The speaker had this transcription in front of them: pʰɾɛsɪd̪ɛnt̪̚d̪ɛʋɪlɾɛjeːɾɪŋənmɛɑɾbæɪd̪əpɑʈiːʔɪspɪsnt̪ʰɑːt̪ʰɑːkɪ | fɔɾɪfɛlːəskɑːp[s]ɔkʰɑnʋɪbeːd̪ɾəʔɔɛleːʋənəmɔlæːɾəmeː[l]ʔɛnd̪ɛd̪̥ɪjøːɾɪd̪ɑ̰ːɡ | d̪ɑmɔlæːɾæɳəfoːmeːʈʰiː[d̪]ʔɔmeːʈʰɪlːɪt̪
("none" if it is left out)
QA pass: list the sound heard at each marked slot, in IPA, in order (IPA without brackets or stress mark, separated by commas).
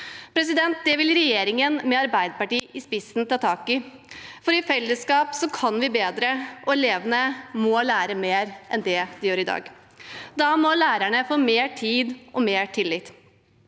s, ɾ, d̪